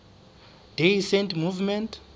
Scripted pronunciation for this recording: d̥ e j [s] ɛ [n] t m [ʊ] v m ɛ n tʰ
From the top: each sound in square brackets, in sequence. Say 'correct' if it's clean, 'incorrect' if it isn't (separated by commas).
correct, correct, incorrect